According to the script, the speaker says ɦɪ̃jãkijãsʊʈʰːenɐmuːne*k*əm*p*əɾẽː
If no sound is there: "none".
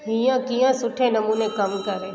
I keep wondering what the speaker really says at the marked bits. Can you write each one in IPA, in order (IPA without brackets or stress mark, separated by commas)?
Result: k, k